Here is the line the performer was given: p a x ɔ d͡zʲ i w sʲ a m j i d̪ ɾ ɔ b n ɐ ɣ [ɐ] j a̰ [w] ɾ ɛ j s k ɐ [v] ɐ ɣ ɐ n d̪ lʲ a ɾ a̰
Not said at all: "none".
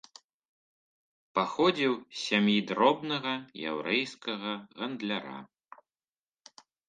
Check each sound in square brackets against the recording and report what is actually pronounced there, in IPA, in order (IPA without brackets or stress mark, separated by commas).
ɐ, w, ɣ